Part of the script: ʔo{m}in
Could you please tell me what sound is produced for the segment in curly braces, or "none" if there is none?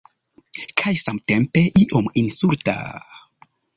m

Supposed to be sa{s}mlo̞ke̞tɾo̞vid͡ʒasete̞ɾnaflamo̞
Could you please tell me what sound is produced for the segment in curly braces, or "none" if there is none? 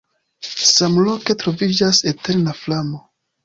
none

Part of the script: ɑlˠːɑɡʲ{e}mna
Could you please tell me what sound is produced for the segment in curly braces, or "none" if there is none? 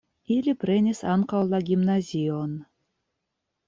i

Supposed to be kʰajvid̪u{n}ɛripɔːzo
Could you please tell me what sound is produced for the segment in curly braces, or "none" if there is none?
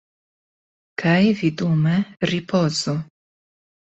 m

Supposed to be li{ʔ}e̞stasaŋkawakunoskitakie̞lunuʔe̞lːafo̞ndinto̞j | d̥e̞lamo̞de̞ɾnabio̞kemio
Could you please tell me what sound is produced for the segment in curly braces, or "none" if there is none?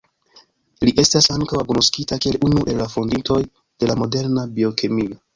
ʔ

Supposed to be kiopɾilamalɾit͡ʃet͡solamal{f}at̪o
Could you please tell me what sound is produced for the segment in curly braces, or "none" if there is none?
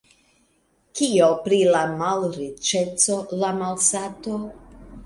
s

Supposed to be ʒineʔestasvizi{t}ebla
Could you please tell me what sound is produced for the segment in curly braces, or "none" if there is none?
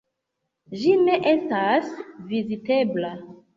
t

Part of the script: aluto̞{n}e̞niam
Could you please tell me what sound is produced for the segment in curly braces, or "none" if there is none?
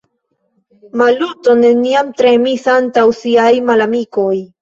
n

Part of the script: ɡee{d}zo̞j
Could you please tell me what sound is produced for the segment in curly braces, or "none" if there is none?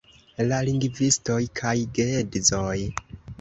d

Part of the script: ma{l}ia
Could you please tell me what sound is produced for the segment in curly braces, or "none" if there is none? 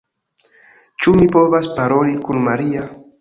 ɾ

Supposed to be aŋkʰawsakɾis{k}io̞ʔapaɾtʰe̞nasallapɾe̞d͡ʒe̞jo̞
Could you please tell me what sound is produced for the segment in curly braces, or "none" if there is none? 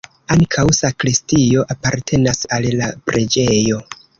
t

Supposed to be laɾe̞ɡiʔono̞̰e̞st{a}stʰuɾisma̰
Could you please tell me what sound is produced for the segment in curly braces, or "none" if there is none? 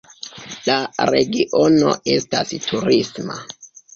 a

